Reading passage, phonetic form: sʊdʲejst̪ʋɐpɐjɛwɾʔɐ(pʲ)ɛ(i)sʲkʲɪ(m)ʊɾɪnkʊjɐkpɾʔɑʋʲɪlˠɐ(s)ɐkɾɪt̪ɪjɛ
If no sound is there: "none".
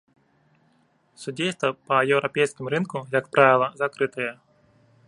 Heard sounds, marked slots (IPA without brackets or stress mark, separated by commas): pʲ, j, m, z